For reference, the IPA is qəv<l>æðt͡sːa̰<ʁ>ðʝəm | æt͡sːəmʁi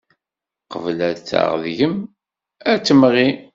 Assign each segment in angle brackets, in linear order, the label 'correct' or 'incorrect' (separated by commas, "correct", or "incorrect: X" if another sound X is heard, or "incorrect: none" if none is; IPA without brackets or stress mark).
correct, correct